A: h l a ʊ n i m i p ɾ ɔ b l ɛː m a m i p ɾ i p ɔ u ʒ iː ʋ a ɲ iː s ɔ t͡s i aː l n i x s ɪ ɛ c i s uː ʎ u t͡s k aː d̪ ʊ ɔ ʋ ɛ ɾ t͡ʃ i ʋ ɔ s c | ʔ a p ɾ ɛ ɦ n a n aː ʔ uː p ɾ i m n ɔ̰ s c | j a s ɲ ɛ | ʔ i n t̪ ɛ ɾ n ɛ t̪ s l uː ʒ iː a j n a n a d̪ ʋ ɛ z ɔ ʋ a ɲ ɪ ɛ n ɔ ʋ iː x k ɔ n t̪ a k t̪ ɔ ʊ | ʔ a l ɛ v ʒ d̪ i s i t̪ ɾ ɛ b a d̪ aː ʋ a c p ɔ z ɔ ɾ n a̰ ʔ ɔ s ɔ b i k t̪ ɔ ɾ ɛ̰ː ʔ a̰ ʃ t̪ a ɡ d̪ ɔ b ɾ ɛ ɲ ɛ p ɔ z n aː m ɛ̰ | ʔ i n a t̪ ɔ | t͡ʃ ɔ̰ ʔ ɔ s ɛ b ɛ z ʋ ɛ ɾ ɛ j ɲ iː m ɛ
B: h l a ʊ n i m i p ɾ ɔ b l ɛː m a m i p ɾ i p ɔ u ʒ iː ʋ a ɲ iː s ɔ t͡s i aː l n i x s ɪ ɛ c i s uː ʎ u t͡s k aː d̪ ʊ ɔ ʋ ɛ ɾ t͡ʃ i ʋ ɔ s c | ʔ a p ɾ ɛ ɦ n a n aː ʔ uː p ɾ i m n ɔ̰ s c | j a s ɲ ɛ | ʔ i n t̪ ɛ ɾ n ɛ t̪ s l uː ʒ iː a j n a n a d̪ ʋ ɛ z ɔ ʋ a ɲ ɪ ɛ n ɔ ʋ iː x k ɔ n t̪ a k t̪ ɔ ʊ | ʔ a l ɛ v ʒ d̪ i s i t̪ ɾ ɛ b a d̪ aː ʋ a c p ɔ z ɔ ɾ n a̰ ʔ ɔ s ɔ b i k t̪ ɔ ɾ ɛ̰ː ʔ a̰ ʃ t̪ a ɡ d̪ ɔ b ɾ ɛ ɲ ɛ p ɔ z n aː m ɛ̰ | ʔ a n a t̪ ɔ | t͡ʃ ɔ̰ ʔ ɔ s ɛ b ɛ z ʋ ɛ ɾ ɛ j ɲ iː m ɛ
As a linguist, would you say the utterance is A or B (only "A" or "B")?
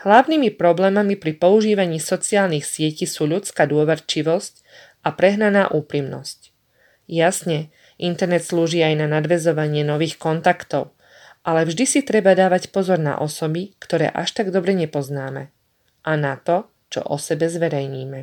B